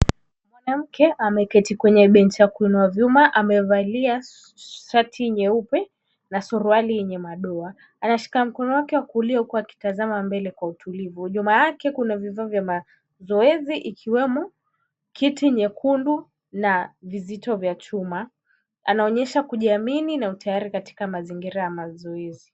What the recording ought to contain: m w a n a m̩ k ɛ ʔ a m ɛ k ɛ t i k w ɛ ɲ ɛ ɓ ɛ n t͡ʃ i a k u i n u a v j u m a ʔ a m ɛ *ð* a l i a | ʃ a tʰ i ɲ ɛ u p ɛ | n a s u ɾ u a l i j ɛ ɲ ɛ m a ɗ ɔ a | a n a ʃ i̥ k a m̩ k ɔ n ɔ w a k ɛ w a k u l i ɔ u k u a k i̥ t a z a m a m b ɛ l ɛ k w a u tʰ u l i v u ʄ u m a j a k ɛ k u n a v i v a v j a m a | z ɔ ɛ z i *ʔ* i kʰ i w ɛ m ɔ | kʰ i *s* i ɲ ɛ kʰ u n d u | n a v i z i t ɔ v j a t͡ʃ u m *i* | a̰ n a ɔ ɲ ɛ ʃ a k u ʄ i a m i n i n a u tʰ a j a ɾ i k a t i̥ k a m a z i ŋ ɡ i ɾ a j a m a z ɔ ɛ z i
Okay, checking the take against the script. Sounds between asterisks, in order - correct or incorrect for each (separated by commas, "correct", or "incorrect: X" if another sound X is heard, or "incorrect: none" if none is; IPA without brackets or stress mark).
incorrect: v, correct, incorrect: t, incorrect: a